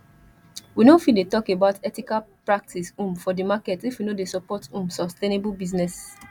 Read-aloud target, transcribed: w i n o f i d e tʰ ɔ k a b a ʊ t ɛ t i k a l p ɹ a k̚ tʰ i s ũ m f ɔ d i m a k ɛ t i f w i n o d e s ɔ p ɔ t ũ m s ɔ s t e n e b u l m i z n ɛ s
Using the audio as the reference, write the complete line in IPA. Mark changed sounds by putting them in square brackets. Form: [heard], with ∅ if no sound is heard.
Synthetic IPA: w i n o f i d e [t] ɔ k [e] b a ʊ t ɛ t i k a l p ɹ a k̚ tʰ i s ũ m f ɔ d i m a k ɛ t i f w i n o d e s ɔ p ɔ t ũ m s ɔ s t e n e b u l [b] i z n ɛ s